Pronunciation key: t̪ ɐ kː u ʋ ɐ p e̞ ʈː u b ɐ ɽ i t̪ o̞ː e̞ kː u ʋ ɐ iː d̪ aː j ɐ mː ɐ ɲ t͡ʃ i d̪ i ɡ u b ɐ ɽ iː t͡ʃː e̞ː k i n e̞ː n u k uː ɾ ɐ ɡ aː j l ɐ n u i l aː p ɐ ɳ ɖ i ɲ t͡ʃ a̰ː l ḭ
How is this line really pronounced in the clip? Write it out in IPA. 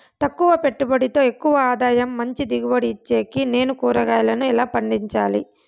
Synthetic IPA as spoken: t̪ ɐ kː u ʋ ɐ p e̞ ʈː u b ɐ ɽ i t̪ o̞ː e̞ kː u ʋ ɐ aː d̪ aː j ɐ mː ɐ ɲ t͡ʃ i d̪ i ɡ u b ɐ ɽ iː t͡ʃː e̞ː k i n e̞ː n u k uː ɾ ɐ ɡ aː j l ɐ n u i l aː p ɐ ɳ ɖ i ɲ t͡ʃ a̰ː l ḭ

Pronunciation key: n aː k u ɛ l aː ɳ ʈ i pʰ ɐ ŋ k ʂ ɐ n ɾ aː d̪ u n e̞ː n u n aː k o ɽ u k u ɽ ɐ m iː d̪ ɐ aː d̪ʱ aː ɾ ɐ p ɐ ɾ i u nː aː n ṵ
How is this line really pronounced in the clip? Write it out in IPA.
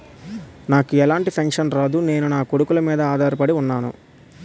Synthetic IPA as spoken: n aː k u ɛ l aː ɳ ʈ i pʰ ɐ ŋ k ʂ ɐ n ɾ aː d̪ u n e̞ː n u n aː k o ɽ u k u l ɐ m iː d̪ ɐ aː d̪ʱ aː ɾ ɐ p ɐ ɽ i u nː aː n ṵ

